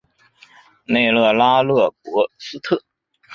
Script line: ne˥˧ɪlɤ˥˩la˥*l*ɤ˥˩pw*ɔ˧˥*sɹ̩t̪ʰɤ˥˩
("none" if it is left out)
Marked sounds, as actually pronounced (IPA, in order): l, ɔ˧˥

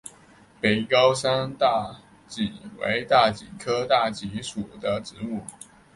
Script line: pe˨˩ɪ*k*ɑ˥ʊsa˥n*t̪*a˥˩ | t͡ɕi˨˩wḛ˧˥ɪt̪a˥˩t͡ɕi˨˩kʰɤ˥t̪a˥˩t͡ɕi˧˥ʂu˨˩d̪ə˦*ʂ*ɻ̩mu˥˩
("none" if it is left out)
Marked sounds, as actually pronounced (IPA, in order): k, t̪, ʈ͡ʂ

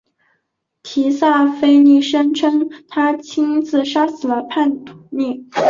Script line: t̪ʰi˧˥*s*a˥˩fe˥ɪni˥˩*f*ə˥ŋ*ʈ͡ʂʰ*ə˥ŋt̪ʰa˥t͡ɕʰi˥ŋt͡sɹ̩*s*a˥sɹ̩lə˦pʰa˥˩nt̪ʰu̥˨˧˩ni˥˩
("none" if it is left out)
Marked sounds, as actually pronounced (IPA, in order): s, ʂ, ʈ͡ʂʰ, ʂ

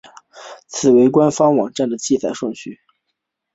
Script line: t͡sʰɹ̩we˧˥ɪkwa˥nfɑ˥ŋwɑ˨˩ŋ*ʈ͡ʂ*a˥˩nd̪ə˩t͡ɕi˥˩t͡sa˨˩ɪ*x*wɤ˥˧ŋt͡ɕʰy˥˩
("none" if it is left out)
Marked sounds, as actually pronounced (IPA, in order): ʈ͡ʂ, ʂ

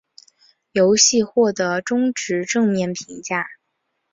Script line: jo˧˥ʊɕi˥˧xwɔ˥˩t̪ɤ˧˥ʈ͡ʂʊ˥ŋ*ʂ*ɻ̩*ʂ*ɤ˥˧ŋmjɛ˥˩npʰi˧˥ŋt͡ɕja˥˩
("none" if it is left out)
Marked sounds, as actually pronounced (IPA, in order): ʈ͡ʂ, ʈ͡ʂ

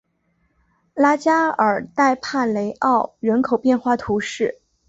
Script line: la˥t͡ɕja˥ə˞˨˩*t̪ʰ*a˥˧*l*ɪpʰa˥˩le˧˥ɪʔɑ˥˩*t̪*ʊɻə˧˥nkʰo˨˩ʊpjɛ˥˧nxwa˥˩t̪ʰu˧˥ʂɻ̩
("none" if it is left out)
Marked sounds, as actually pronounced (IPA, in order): t̪, none, none

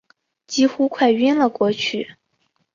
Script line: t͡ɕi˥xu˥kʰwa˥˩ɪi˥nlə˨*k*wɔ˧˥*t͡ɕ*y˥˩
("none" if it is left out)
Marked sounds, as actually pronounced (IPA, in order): k, t͡ɕʰ

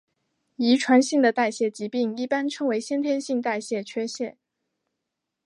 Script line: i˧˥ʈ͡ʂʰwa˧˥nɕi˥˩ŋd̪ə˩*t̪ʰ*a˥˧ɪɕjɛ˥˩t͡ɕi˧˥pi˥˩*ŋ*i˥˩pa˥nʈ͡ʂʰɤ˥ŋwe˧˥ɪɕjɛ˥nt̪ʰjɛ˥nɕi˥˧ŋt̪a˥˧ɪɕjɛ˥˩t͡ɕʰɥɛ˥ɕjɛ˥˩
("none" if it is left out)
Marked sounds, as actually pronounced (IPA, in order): t̪, ŋ

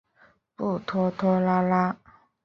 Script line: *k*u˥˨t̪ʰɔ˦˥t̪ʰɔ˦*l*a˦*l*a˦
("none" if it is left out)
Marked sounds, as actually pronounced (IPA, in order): p, l, l

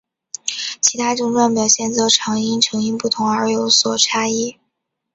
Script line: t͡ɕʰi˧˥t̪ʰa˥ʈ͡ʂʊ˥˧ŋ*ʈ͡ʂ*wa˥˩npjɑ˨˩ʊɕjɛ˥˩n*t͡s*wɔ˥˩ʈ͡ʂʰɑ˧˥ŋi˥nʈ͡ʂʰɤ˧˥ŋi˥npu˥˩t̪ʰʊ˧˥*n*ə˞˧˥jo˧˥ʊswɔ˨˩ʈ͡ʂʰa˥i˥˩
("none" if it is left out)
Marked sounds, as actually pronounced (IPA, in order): ʈ͡ʂ, t͡s, ŋ

